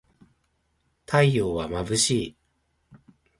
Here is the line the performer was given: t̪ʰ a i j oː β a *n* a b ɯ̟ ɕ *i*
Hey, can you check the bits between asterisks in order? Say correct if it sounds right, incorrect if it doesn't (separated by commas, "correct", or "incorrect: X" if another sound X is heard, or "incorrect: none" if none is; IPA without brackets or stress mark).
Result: incorrect: m, incorrect: iː